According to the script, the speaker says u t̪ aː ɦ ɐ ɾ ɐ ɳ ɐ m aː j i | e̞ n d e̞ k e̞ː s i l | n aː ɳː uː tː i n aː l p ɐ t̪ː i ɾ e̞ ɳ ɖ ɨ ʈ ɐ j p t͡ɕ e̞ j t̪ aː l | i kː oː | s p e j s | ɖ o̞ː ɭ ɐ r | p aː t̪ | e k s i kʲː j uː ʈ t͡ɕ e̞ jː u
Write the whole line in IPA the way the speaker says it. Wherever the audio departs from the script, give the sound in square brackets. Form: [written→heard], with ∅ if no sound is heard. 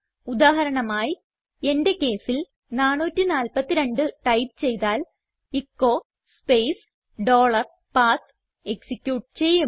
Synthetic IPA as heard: u [t̪→d̪] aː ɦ ɐ ɾ ɐ ɳ ɐ m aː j i | e̞ n d e̞ k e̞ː s i l | n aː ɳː uː tː i n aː l p ɐ t̪ː i ɾ e̞ ɳ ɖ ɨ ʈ ɐ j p t͡ɕ e̞ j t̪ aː l | i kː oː | s p e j s | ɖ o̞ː ɭ ɐ r | p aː t̪ | e k s i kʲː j uː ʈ t͡ɕ e̞ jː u